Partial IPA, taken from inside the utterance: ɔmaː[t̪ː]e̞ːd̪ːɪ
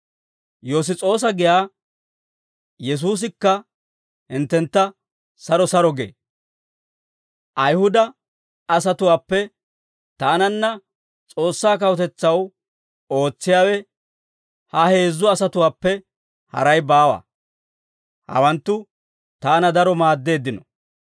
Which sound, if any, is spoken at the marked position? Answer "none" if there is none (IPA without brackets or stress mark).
d̪ː